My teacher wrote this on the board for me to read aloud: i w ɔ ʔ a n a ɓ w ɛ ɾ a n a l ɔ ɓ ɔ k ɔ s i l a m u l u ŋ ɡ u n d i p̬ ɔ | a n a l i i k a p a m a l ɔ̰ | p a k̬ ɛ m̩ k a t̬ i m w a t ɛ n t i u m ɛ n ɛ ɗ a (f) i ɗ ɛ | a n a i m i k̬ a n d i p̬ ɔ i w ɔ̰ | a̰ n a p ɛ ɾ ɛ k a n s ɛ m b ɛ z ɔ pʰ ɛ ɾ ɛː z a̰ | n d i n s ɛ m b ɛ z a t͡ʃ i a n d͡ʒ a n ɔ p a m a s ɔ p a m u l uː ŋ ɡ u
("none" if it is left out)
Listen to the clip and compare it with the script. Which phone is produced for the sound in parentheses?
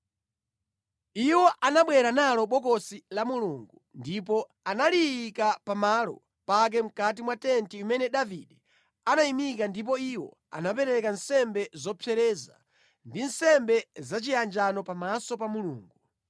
v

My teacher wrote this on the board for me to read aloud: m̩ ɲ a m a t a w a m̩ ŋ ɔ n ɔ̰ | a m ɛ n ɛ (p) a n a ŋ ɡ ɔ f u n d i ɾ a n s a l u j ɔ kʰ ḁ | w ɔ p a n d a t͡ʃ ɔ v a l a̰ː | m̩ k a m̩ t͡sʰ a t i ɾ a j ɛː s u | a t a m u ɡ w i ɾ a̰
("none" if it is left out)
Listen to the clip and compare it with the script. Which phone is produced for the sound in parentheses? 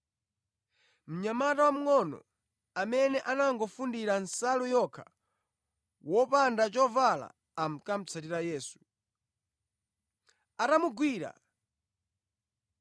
ʔ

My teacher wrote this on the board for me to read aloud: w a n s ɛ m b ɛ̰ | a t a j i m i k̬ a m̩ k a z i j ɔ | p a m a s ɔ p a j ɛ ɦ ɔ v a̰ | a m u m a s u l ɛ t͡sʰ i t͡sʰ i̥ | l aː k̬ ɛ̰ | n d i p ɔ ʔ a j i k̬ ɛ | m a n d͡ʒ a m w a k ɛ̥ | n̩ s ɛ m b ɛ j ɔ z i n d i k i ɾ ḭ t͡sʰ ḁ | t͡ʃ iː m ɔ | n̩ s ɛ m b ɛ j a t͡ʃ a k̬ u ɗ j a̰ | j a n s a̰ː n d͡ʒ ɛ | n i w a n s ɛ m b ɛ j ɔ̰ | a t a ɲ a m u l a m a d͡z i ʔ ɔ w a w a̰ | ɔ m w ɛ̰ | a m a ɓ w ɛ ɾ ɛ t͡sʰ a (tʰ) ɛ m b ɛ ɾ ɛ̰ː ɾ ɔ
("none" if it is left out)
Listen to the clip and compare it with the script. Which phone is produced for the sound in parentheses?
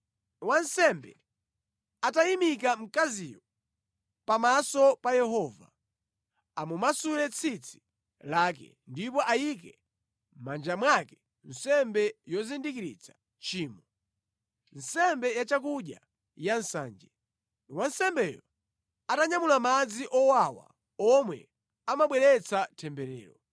tʰ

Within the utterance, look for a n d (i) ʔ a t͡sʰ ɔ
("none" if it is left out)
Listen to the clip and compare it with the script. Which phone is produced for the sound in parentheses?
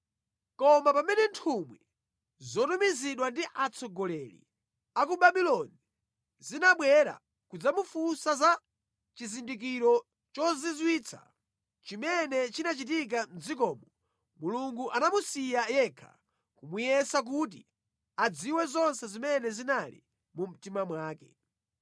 i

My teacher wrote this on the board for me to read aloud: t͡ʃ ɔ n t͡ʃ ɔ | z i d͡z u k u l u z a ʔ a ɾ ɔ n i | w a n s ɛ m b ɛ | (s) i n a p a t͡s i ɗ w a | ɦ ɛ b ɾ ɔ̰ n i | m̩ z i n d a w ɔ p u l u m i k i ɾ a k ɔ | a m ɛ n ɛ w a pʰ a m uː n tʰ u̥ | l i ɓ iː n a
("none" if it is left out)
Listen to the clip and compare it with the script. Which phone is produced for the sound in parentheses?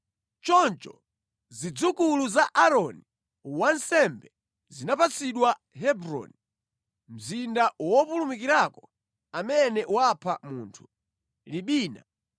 z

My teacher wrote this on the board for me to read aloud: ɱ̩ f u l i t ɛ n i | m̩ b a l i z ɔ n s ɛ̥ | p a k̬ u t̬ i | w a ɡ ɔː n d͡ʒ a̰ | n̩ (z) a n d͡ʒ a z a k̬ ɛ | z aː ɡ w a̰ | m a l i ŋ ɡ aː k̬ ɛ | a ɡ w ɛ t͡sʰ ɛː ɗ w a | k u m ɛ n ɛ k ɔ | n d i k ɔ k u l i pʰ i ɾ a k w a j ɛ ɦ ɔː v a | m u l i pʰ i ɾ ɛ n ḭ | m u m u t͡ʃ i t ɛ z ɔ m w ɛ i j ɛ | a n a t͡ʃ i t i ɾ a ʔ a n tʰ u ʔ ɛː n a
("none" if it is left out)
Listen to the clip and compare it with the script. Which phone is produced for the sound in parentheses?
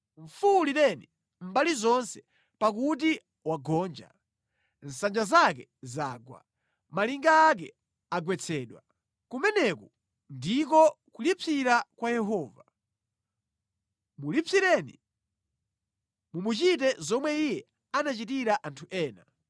s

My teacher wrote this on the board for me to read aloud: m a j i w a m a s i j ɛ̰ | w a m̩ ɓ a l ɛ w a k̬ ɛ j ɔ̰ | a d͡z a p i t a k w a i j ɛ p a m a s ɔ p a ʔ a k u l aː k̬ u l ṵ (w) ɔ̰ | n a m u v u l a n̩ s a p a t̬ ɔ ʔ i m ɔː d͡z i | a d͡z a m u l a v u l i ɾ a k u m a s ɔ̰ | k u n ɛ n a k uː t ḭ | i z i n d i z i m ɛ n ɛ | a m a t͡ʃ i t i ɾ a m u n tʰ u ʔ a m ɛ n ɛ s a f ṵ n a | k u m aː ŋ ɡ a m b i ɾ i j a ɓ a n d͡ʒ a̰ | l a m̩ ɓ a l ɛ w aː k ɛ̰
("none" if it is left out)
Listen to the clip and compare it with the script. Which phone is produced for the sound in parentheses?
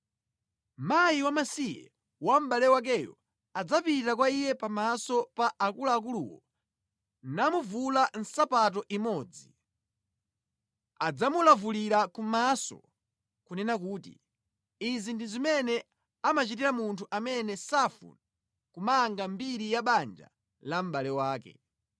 w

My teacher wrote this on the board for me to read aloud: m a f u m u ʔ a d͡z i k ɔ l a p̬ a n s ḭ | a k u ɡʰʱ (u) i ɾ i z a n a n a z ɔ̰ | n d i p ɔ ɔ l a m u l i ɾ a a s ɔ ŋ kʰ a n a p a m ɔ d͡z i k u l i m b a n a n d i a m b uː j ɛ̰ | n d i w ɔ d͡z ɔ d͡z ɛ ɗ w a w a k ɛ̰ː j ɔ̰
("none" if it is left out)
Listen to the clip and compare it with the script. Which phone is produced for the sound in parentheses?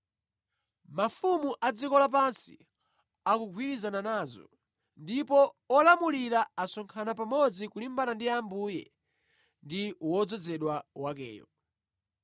w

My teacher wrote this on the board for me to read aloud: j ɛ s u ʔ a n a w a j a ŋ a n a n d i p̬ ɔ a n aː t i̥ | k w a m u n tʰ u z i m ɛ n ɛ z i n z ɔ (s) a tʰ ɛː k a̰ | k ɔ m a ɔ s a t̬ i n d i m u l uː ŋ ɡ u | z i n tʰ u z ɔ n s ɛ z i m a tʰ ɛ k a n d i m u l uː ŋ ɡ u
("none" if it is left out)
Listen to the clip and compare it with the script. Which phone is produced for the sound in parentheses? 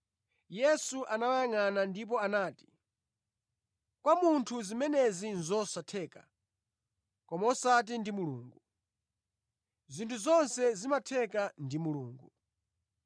s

